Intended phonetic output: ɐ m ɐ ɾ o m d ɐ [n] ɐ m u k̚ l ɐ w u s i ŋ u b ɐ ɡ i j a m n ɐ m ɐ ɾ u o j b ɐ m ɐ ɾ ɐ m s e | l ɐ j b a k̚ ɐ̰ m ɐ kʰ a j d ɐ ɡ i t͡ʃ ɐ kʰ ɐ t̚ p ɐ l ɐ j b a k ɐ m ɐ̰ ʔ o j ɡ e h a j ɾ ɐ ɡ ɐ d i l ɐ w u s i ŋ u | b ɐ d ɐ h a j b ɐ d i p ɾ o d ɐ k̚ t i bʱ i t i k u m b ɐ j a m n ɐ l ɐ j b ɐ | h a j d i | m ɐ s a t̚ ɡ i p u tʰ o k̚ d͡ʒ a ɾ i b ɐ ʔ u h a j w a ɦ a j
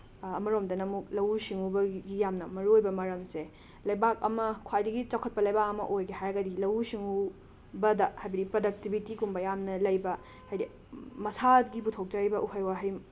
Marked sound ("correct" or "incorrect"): correct